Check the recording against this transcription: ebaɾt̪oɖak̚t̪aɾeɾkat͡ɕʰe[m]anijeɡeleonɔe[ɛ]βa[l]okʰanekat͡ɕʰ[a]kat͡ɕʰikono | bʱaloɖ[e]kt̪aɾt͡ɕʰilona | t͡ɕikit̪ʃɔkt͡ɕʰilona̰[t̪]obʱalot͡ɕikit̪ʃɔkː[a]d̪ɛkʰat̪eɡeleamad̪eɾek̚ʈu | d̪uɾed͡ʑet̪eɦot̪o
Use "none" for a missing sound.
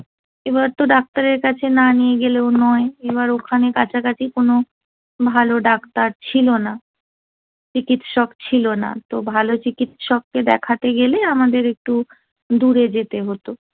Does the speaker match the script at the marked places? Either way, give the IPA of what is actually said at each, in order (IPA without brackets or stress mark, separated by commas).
n, e, ɾ, a, a, t̪, e